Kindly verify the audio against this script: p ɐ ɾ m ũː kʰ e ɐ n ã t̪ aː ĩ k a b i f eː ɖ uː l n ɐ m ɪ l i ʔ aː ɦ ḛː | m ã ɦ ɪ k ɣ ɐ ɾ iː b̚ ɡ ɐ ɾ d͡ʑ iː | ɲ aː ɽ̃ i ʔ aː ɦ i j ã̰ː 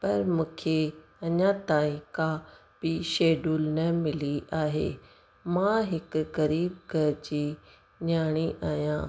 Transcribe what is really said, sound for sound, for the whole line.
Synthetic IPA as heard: p ɐ ɾ m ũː kʰ e ɐ ɲ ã t̪ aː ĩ k a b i ʃ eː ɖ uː l n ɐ m ɪ l i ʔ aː ɦ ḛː | m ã ɦ ɪ k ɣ ɐ ɾ iː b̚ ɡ ɐ ɾ d͡ʑ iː | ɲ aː ɽ̃ i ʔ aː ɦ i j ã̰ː